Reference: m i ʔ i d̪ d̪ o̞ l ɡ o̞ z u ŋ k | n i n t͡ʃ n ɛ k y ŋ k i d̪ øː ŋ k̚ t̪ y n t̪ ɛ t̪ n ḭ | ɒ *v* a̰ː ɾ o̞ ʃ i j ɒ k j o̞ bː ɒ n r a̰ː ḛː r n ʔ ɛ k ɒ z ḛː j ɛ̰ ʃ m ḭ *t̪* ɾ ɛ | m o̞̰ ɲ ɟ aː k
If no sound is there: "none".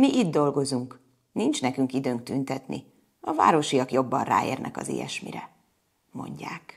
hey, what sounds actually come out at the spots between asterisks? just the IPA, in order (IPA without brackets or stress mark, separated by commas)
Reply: v, none